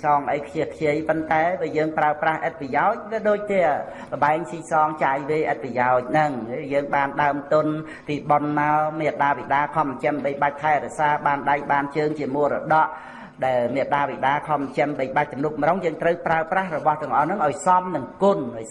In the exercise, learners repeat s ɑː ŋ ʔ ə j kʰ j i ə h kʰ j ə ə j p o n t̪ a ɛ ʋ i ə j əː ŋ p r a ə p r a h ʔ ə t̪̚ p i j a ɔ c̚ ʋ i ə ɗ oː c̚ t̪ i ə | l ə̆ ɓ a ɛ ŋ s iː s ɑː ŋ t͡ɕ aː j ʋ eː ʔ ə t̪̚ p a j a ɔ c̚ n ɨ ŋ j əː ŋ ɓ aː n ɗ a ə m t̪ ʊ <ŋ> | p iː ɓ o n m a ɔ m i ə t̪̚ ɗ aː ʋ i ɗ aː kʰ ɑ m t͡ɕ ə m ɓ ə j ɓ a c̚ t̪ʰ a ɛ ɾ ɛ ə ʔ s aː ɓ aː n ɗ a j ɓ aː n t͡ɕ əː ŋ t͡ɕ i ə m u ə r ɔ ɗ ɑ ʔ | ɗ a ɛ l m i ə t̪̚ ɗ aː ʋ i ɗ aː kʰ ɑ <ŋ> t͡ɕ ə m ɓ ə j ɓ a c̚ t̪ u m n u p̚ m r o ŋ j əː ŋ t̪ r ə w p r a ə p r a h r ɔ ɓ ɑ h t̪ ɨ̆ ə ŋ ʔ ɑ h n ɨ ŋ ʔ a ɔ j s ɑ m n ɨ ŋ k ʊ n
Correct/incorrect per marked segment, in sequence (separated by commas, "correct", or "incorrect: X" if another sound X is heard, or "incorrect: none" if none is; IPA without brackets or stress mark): incorrect: n, incorrect: m